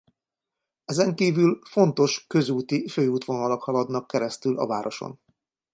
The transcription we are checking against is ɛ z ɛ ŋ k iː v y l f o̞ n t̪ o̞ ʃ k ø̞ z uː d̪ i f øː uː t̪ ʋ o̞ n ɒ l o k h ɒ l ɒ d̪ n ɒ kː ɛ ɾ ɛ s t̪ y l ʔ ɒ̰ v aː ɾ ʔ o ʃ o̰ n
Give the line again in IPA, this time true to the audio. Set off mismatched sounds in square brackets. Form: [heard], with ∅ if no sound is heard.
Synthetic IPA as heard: ɛ z ɛ ŋ k iː v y l f o̞ n t̪ o̞ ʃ k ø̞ z uː [t̪] i f øː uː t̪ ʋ o̞ n ɒ l o k h ɒ l ɒ d̪ n ɒ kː ɛ ɾ ɛ s t̪ y l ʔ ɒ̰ v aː ɾ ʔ o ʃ o̰ n